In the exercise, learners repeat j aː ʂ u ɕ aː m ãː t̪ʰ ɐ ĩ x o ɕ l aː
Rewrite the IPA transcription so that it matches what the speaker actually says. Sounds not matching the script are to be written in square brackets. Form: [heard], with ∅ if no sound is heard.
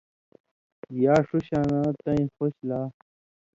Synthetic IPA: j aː ʂ u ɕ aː [n] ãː [t̪] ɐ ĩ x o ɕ l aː